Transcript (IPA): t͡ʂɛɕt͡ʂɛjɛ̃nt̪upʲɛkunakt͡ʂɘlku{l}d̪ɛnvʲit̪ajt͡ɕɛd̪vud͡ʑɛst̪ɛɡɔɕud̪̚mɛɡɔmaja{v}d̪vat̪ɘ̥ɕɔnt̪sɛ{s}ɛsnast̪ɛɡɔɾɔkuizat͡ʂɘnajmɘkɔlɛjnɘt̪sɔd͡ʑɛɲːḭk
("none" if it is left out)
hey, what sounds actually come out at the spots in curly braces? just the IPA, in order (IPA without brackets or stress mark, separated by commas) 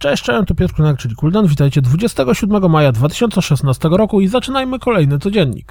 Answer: l, none, ʂ